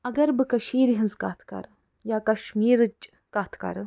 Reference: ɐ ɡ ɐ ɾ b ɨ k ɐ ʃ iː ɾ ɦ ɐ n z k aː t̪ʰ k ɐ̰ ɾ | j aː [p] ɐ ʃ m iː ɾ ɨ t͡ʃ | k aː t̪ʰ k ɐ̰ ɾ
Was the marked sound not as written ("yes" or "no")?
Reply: yes